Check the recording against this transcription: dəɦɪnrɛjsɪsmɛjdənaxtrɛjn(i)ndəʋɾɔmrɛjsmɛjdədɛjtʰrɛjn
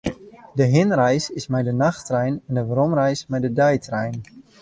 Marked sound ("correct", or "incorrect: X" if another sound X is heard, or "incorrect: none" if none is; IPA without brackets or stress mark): incorrect: ɛ